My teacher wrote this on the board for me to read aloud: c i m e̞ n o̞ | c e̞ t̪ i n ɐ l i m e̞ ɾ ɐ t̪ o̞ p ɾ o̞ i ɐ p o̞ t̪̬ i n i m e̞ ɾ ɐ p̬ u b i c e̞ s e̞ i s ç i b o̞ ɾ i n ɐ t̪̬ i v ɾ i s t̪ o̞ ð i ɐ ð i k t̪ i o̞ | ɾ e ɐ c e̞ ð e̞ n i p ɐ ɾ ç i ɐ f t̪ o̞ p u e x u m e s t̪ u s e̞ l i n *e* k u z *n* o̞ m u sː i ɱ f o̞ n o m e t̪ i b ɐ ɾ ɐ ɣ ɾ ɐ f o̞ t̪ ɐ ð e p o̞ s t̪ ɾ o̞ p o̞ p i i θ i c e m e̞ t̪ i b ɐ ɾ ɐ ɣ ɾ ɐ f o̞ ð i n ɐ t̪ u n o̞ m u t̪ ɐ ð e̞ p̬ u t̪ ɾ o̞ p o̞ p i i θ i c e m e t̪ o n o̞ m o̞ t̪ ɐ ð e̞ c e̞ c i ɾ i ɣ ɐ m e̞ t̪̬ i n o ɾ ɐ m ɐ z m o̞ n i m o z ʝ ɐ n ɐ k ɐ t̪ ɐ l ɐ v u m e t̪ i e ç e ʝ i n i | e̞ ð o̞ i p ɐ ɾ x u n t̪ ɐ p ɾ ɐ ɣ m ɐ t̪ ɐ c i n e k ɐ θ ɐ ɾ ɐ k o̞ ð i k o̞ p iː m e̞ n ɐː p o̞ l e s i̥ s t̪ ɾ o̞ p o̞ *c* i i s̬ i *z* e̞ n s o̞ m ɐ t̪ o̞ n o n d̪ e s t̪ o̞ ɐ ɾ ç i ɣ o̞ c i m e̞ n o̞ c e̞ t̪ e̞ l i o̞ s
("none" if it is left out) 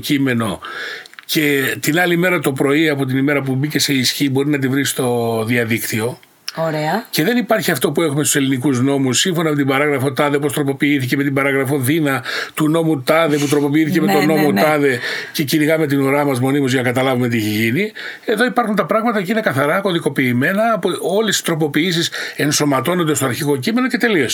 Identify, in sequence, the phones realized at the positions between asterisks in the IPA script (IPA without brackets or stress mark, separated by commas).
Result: i, n, p, s